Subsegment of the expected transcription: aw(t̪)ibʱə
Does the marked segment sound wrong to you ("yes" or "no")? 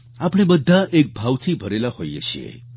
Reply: yes